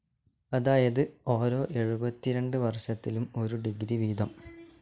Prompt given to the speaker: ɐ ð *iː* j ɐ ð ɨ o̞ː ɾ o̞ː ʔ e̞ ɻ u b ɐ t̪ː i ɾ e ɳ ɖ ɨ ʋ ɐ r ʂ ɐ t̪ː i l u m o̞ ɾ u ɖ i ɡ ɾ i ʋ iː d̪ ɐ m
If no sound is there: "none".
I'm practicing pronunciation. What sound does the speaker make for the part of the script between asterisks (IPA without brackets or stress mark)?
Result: aː